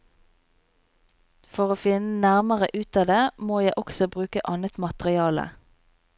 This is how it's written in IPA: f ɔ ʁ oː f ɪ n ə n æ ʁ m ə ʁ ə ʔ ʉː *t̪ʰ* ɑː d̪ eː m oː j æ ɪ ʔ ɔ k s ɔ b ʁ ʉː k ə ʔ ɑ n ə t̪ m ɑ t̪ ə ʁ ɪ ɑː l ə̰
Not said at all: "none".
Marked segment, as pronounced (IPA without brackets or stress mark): t̪